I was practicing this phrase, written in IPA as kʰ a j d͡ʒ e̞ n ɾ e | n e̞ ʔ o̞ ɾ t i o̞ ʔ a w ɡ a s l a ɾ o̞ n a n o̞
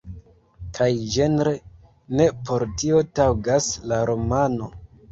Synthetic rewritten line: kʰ a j d͡ʒ e̞ n ɾ e | n e̞ p o̞ ɾ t i o̞ t a w ɡ a s l a ɾ o̞ m a n o̞